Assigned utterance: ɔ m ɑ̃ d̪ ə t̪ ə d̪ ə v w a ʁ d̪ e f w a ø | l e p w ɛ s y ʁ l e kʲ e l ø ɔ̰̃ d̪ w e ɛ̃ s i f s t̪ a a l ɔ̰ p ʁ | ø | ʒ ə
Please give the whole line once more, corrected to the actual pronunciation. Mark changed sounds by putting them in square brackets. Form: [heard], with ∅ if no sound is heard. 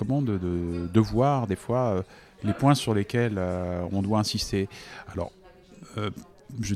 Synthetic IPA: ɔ m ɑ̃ d̪ ə [d̪] ə d̪ ə v w a ʁ d̪ e f w a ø | l e p w [ɛ̃] s y ʁ l e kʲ [ɛ] l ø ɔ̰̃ d̪ w [a] ɛ̃ s i [∅] s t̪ [e] a l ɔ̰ [∅] ʁ | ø | ʒ ə